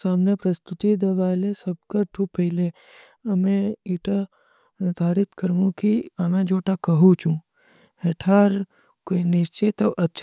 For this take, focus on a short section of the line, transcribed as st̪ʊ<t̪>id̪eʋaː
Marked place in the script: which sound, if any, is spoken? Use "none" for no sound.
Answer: t̪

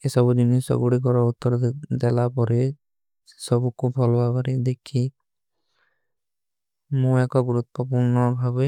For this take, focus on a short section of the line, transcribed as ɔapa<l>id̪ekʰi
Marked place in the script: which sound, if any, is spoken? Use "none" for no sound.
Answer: ɾ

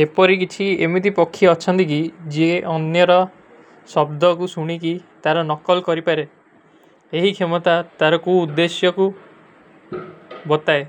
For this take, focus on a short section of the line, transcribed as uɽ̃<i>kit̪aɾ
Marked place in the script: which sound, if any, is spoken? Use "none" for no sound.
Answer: i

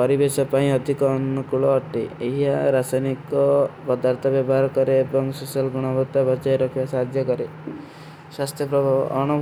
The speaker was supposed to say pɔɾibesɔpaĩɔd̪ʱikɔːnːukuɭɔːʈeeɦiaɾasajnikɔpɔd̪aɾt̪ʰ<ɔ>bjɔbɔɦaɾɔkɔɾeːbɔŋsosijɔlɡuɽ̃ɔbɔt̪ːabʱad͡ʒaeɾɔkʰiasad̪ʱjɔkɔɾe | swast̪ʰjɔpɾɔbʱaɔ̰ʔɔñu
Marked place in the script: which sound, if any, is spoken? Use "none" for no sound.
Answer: ɔ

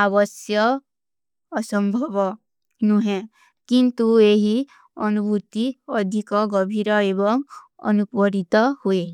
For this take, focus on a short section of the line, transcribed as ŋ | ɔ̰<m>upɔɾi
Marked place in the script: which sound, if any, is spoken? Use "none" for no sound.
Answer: n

